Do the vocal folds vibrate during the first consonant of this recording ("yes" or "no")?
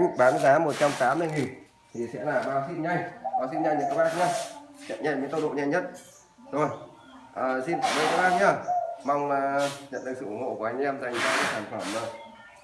yes